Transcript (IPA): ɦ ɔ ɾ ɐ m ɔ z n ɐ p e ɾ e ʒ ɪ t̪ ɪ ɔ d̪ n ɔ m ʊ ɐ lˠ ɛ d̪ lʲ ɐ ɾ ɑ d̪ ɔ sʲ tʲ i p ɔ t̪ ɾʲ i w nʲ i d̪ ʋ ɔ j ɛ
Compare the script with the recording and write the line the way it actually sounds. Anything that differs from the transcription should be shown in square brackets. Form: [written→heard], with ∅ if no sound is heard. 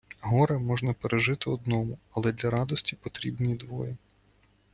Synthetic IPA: ɦ ɔ ɾ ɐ m ɔ [z→ʒ] n ɐ p e ɾ e ʒ ɪ t̪ ɪ ɔ d̪ n ɔ m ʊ ɐ lˠ ɛ d̪ lʲ ɐ ɾ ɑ d̪ ɔ sʲ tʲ i p ɔ t̪ ɾʲ i [w→b] nʲ i d̪ ʋ ɔ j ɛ